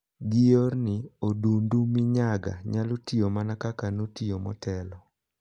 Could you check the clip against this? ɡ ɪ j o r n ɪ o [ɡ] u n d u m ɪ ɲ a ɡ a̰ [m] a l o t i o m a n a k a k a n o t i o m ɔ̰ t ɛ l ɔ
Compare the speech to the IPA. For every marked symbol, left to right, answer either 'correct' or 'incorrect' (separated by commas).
incorrect, incorrect